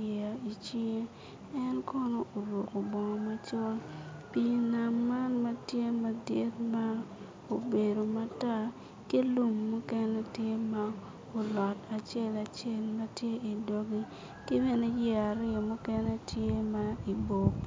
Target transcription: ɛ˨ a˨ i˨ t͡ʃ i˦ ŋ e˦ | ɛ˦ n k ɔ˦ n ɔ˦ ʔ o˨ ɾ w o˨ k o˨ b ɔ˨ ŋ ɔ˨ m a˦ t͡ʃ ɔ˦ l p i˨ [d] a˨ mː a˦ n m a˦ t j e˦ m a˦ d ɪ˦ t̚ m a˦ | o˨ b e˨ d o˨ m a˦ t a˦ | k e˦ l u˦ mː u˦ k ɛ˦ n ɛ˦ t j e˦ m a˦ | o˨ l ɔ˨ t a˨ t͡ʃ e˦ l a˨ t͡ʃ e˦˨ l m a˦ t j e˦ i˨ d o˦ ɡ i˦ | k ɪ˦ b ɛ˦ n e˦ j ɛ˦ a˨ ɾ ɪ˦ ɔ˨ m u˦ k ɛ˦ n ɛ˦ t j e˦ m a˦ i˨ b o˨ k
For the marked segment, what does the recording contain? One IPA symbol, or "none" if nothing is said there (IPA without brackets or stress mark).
n